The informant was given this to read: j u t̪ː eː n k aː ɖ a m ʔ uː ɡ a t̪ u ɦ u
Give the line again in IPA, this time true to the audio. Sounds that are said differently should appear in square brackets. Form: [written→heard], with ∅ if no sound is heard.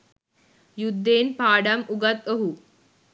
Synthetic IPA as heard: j u [t̪ː→d̪ː] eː n [k→p] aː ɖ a m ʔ [uː→u] ɡ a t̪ [u→o] ɦ u